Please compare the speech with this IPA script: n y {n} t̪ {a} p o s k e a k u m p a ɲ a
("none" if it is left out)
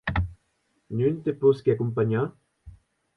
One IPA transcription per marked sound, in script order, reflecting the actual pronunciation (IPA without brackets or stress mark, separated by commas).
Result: n, e